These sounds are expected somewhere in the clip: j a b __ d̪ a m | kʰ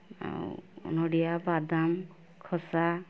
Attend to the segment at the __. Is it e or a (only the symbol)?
a